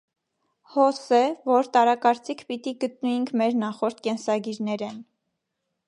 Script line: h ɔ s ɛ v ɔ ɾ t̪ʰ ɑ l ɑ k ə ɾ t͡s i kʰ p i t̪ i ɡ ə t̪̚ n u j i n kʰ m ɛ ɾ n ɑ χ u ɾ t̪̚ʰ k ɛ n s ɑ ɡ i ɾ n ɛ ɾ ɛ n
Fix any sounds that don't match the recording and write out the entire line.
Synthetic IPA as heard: h ɔ s ɛ v ɔ ɾ t̪ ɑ ɾ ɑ k ɑ ɾ t͡s i kʰ p i t̪ i ɡ ə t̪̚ n u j i ŋ kʰ m ɛ ɾ n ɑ χ ɔ ɾ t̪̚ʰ k ɛ n s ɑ ɡ i ɾ n ɛ ɾ ɛ n

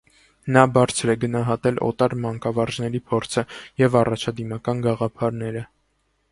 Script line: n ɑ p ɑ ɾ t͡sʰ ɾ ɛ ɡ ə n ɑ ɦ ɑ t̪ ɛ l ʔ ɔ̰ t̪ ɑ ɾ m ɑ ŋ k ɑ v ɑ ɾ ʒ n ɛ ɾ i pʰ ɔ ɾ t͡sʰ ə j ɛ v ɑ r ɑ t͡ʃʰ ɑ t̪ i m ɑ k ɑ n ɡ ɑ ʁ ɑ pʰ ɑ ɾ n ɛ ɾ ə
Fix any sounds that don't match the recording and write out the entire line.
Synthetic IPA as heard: n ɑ b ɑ ɾ t͡sʰ ɾ ɛ ɡ ə n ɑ ɦ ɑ t̪ ɛ l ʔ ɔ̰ t̪ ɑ ɾ m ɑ ŋ k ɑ v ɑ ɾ ʒ n ɛ ɾ i pʰ ɔ ɾ t͡sʰ ə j ɛ v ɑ r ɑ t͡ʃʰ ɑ d̪ i m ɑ k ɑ n ɡ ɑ ʁ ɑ pʰ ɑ ɾ n ɛ ɾ ə

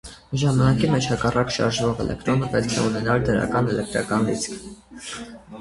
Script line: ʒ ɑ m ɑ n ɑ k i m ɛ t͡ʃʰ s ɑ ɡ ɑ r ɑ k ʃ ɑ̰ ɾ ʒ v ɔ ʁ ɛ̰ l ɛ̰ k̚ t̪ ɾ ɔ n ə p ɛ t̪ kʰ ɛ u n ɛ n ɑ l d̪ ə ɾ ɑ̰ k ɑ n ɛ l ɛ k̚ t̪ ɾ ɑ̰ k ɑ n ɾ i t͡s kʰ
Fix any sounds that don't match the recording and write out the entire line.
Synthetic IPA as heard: ʒ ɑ m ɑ n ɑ k i m ɛ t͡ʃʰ h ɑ k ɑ r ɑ k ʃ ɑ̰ ɾ ʒ v ɔ ʁ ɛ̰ l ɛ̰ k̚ t̪ ɾ ɔ n ə p ɛ t̪ kʰ ɛ u n ɛ n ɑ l d̪ ə ɾ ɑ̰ k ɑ n ɛ l ɛ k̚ t̪ ɾ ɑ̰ k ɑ n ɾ i t͡s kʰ

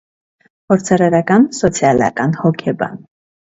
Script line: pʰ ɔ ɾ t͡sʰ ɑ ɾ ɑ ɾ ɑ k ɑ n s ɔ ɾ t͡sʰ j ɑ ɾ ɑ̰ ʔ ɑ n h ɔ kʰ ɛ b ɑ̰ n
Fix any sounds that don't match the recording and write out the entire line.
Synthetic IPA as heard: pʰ ɔ ɾ t͡sʰ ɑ ɾ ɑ ɾ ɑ k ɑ n s ɔ t͡sʰ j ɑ l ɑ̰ k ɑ n h ɔ kʰ ɛ b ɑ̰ n

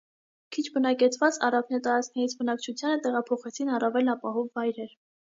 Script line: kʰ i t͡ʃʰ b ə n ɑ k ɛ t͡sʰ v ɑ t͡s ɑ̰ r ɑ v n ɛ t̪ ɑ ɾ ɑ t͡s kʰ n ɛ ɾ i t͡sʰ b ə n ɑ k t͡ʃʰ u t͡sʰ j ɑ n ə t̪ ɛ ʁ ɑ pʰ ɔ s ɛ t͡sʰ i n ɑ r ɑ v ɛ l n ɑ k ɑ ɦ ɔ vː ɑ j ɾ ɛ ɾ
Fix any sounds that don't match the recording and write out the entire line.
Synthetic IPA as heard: kʰ i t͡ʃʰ b ə n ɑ k ɛ t͡sʰ v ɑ t͡s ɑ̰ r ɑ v n ɛ t̪ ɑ ɾ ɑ t͡s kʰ n ɛ ɾ i t͡sʰ b ə n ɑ k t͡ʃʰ u t͡sʰ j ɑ n ə t̪ ɛ ʁ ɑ pʰ ɔ χ ɛ t͡sʰ i n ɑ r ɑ v ɛ l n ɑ p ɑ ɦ ɔ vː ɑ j ɾ ɛ ɾ

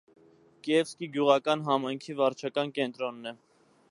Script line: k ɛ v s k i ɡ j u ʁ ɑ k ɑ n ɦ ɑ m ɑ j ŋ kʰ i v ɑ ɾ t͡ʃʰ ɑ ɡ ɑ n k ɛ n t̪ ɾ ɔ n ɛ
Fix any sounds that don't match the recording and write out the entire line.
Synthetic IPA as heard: k ɛ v s k i ɡ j u ʁ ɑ k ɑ n ɦ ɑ m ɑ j ŋ kʰ i v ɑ ɾ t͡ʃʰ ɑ k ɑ n k ɛ n t̪ ɾ ɔ nː ɛ

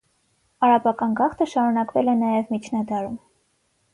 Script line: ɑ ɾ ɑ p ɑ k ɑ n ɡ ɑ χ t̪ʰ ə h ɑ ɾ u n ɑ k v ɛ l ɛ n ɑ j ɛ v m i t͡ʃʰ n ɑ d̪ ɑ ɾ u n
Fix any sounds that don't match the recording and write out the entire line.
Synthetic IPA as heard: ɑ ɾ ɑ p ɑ k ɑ n ɡ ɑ χ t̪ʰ ə ʃ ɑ ɾ u n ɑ k v ɛ l ɛ n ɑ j ɛ v m i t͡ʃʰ n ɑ d̪ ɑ ɾ u m

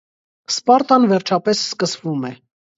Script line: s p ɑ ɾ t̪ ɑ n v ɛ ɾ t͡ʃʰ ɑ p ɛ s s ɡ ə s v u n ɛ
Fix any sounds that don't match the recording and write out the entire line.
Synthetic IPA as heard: s p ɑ ɾ t̪ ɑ n v ɛ ɾ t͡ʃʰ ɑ p ɛ s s k ə s v u m ɛ

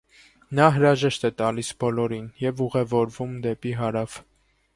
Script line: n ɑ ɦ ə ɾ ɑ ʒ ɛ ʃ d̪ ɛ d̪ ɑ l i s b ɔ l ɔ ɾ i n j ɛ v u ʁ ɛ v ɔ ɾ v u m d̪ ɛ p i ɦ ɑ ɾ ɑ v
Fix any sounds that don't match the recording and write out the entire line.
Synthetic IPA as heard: n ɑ ɦ ə ɾ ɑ ʒ ɛ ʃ t̪ ɛ t̪ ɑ l i s b ɔ l ɔ ɾ i n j ɛ v u ʁ ɛ v ɔ ɾ v u m d̪ ɛ p i ɦ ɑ ɾ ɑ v

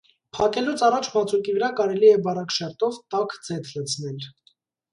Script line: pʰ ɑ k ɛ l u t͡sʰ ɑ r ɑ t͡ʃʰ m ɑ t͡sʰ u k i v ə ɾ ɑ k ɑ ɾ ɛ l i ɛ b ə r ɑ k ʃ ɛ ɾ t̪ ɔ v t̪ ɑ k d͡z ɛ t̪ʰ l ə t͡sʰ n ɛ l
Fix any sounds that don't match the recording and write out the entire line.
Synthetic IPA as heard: pʰ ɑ k ɛ l u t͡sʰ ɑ r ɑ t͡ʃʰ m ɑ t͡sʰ u k i v ə ɾ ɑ k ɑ ɾ ɛ l i ɛ b ɑ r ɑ k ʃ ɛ ɾ t̪ ɔ v t̪ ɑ k d͡z ɛ t̪ʰ l ə t͡sʰ n ɛ l

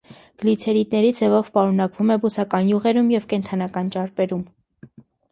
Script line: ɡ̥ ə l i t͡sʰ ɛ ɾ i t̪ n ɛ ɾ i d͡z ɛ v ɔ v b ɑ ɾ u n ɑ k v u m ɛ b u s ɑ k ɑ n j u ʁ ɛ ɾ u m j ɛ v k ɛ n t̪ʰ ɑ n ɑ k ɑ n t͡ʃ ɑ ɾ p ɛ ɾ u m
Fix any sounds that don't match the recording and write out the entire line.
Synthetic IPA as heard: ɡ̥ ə l i t͡sʰ ɛ ɾ i t̪ n ɛ ɾ i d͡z ɛ v ɔ v p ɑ ɾ u n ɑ k v u m ɛ b u s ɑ k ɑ n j u ʁ ɛ ɾ u m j ɛ v k ɛ n t̪ʰ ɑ n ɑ k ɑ n t͡ʃ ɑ ɾ p ɛ ɾ u m

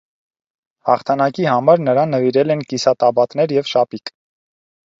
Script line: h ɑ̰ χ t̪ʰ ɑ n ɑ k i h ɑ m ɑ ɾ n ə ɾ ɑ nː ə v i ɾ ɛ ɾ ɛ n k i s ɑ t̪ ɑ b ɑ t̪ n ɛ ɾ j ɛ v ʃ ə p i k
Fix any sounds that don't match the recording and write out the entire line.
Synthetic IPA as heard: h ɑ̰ χ t̪ʰ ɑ n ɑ k i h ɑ m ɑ ɾ n ə ɾ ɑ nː ə v i ɾ ɛ l ɛ n k i s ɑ t̪ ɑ b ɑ t̪ n ɛ ɾ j ɛ v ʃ ɑ p i k

